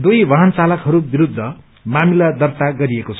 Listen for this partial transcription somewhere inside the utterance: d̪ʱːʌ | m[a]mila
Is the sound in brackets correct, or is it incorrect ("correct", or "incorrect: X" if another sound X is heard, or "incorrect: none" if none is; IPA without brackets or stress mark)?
correct